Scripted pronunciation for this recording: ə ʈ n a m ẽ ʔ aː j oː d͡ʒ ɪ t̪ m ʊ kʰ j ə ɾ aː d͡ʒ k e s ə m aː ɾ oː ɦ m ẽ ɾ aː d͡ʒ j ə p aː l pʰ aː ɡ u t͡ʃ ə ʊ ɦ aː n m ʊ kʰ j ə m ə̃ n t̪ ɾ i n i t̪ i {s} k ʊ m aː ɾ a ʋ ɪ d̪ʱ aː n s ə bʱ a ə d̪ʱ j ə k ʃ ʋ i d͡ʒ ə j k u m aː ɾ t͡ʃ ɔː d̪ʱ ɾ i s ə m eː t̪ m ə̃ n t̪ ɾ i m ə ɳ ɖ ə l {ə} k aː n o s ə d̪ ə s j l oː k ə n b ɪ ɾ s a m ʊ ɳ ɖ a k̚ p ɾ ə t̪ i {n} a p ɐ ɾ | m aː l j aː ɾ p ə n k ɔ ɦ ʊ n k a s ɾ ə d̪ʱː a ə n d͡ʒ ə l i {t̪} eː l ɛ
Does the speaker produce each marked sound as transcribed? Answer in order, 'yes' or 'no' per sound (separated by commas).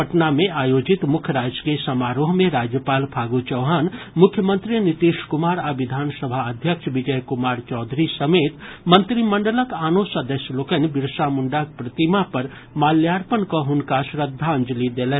no, yes, no, no